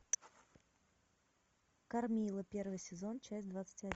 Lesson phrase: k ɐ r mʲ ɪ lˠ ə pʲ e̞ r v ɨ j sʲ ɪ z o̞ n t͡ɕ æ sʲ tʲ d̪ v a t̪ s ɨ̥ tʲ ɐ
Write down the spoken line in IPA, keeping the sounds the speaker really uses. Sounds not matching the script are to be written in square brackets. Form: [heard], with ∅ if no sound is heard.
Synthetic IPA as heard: k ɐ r mʲ [i] lˠ ə pʲ e̞ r v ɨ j sʲ ɪ z o̞ n t͡ɕ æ sʲ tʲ d̪ v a t̪ s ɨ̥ tʲ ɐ